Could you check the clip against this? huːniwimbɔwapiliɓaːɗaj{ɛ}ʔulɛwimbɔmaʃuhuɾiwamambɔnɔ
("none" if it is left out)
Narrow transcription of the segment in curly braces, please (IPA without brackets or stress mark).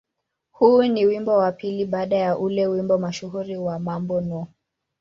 a